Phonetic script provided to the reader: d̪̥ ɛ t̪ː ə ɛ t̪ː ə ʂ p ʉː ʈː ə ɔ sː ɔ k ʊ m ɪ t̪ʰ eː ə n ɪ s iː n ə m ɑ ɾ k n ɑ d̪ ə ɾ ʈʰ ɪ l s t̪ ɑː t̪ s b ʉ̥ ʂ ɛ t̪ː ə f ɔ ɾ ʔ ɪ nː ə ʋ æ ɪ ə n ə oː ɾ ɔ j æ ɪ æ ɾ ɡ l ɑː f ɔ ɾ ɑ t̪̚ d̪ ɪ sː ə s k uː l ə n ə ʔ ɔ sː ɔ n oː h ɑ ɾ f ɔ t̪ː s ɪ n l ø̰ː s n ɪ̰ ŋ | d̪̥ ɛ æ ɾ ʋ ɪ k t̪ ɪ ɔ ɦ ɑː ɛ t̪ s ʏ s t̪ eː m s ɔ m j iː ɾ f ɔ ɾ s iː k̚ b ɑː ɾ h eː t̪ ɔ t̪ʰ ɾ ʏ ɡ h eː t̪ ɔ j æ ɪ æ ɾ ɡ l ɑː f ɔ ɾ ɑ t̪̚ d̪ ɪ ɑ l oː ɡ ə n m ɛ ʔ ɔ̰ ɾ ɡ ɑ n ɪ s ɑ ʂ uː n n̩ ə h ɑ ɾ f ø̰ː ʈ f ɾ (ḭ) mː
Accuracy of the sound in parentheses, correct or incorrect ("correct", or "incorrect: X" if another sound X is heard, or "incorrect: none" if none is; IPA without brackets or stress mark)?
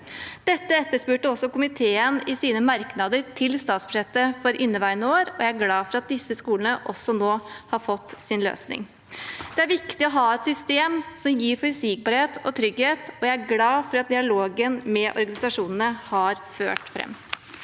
incorrect: ɛ̰